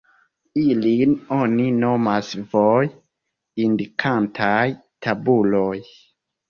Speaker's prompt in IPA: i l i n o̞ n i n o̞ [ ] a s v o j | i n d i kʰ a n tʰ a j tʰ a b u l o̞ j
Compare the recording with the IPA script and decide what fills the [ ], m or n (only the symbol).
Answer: m